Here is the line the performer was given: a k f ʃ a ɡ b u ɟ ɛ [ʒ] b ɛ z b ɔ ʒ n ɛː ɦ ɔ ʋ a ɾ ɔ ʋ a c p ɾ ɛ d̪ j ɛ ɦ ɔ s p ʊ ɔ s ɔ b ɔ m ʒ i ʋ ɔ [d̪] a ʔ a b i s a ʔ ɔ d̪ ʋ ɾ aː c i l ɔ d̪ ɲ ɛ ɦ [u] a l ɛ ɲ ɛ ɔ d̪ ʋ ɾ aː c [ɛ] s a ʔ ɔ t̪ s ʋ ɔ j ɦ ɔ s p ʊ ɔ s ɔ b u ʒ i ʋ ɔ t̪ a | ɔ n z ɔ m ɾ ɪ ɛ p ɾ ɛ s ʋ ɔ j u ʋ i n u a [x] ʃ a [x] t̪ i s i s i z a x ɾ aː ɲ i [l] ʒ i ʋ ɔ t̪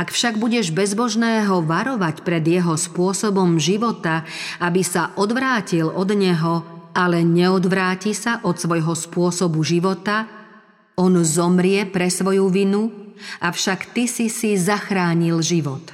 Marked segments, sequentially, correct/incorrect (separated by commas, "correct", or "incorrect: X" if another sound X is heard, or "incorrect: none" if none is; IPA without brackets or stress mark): correct, incorrect: t̪, incorrect: ɔ, incorrect: i, incorrect: f, incorrect: k, correct